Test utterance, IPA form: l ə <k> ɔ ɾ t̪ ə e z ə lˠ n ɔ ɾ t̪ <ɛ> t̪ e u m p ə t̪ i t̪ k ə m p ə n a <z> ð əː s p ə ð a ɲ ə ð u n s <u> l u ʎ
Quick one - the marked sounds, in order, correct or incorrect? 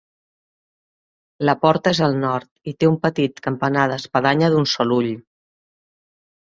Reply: incorrect, incorrect, incorrect, incorrect

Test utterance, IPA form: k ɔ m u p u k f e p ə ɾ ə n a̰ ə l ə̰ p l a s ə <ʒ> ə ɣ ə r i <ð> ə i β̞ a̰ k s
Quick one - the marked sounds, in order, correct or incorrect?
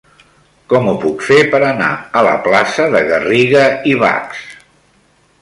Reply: incorrect, incorrect

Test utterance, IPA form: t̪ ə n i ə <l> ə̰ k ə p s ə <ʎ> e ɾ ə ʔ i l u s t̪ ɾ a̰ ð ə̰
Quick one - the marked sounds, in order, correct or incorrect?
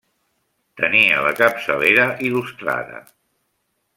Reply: correct, incorrect

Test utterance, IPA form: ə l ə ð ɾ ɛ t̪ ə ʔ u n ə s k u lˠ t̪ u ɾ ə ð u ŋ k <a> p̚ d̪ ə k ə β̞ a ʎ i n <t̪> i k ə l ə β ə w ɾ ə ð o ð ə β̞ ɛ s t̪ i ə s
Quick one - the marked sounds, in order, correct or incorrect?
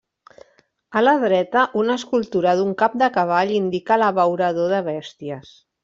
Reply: correct, incorrect

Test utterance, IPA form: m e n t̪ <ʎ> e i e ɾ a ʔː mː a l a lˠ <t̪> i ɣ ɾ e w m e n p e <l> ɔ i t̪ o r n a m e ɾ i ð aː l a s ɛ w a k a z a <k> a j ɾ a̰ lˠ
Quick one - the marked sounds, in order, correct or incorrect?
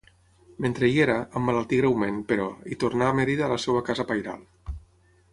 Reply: incorrect, correct, incorrect, incorrect

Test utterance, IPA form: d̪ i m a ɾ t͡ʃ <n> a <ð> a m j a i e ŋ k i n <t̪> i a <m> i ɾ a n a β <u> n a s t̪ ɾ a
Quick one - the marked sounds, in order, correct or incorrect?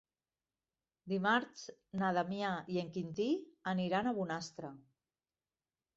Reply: correct, correct, correct, incorrect, correct

